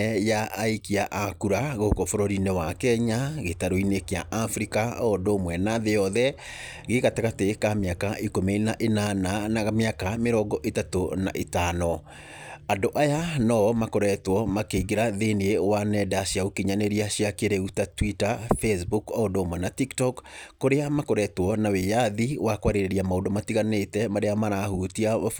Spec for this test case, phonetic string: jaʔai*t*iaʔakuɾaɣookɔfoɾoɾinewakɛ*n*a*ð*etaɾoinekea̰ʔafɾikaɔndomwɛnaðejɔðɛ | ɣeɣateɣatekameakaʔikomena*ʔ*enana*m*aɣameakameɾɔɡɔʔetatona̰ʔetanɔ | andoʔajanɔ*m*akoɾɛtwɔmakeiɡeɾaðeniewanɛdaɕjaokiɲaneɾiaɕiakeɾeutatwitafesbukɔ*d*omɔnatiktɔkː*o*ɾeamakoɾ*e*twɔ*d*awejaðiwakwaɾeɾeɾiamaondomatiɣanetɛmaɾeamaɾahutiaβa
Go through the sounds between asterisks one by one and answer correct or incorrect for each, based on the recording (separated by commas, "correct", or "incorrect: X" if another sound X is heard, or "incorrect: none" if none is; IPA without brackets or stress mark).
incorrect: k, incorrect: ɲ, incorrect: ɣ, correct, incorrect: n, correct, correct, correct, incorrect: ɛ, incorrect: n